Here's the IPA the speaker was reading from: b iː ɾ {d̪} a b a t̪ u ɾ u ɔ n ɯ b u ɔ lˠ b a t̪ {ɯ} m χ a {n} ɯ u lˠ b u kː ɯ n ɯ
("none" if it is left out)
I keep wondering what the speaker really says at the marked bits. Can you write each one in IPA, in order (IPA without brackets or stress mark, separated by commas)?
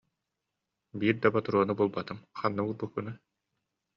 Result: d̪, ɯ, nː